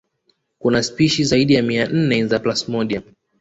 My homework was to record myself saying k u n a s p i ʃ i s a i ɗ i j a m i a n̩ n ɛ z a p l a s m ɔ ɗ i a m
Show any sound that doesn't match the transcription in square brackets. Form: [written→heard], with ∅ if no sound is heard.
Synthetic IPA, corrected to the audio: k u n a s p i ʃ i [s→z] a i ɗ i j a m i a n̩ n ɛ z a p l a s m ɔ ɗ i a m